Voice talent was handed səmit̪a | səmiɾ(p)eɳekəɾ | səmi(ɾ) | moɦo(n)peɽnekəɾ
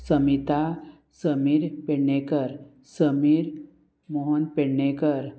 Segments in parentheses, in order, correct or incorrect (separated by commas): correct, correct, correct